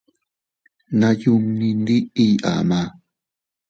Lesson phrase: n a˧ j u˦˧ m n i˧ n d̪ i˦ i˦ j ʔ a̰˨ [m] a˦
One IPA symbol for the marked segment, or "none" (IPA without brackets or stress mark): m